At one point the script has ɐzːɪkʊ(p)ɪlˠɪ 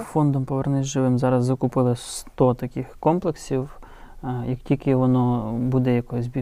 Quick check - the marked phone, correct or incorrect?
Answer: correct